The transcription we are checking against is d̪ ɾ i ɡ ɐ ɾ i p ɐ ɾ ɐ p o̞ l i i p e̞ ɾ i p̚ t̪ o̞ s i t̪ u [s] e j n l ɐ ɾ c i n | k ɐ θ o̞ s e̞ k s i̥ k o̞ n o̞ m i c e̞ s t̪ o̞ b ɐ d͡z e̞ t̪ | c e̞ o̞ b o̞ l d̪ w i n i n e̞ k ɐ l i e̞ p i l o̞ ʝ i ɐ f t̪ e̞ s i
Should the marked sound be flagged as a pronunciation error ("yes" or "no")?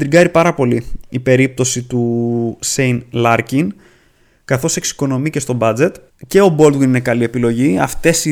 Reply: no